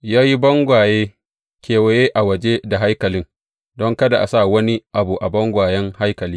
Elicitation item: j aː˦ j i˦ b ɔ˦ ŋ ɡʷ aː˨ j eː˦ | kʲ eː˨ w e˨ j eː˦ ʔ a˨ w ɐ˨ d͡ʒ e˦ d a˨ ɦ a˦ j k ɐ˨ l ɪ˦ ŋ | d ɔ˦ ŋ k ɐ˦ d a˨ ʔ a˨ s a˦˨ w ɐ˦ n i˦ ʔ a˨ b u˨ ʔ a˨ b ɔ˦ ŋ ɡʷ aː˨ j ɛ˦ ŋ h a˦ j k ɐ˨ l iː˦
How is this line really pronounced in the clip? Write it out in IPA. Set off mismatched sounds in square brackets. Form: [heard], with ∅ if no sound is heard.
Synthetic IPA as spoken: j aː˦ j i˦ b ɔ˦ ŋ ɡʷ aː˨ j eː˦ | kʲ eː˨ w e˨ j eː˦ ʔ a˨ w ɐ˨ d͡ʒ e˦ d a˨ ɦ a˦ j k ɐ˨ l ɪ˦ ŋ | d ɔ˦ ŋ k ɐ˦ d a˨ ʔ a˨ s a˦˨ w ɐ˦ n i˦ ʔ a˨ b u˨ ʔ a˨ b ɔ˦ ŋ ɡʷ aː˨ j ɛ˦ ŋ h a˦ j k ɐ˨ l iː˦

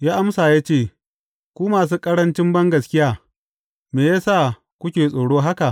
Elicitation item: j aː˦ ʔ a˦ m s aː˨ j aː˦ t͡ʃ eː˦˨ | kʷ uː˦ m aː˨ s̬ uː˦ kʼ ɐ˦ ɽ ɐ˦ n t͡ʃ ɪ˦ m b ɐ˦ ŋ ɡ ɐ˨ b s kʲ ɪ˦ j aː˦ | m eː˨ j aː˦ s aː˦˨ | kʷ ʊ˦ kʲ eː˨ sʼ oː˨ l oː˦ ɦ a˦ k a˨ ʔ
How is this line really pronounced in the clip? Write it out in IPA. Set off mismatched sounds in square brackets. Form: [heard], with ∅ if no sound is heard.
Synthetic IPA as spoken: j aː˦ ʔ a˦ m s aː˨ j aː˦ t͡ʃ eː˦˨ | kʷ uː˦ m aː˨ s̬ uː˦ kʼ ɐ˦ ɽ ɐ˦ n t͡ʃ ɪ˦ m b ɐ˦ ŋ ɡ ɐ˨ [∅] s kʲ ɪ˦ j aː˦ | m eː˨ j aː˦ s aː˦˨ | kʷ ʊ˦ kʲ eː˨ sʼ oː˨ [ɽ] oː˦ ɦ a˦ k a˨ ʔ

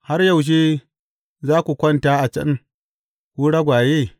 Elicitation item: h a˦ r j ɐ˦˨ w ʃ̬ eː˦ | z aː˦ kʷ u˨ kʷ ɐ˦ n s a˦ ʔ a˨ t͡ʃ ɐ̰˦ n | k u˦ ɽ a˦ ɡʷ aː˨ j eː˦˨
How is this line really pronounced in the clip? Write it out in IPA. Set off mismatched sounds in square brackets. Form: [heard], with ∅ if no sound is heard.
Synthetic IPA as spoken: h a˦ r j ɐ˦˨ w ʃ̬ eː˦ | z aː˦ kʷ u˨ kʷ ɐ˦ n [t] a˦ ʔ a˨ t͡ʃ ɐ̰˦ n | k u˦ ɽ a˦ ɡʷ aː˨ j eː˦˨

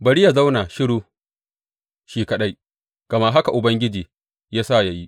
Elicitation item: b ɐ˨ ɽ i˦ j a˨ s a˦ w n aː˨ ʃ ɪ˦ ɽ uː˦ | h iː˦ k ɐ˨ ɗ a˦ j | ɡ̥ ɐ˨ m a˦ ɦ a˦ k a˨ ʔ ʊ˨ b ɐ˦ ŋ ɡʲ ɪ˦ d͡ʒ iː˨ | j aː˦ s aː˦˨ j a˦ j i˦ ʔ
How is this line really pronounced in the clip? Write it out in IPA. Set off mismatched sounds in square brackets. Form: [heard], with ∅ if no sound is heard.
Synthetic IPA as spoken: b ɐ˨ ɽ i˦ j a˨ [z] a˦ w n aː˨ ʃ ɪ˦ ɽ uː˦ | [ʃ] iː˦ k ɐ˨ ɗ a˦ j | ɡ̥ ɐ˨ m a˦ ɦ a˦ k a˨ ʔ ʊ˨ b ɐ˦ ŋ ɡʲ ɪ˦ d͡ʒ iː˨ | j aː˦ s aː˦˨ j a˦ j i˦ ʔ

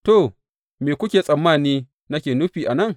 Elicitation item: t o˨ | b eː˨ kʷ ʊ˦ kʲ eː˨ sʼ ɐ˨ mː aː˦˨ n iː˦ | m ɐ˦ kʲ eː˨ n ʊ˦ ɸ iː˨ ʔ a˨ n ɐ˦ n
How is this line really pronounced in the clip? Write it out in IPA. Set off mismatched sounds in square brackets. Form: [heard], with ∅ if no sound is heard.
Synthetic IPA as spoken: t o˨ | [m] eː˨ kʷ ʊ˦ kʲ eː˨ sʼ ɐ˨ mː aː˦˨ n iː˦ | [n] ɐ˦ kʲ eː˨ n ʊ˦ ɸ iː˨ ʔ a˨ n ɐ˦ [ŋ]

